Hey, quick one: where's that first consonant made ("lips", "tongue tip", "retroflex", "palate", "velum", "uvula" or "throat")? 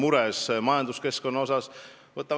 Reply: lips